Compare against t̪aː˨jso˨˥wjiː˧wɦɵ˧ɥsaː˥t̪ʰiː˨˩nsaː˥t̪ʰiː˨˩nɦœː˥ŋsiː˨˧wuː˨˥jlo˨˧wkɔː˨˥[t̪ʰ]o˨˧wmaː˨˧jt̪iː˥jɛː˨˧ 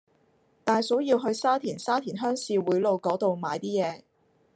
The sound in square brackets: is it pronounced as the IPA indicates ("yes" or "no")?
no